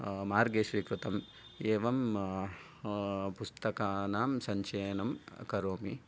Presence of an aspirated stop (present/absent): absent